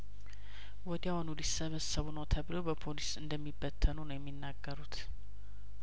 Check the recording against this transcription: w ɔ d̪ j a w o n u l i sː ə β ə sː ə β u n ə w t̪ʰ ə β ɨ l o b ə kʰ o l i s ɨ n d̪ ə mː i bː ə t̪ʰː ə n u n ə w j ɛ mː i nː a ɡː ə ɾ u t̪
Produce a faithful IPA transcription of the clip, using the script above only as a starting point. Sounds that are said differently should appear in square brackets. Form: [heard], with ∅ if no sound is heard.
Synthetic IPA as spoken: w ɔ d̪ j a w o n u l i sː ə β ə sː ə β u n ə w t̪ʰ ə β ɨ l o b ə [pʰ] o l i s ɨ n d̪ ə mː i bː ə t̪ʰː ə n u n ə w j ɛ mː i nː a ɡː ə ɾ u t̪